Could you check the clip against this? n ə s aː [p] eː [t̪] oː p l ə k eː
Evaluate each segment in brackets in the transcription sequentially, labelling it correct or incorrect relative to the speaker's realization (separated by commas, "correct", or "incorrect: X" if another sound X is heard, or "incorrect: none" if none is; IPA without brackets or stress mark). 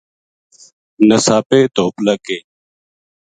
correct, correct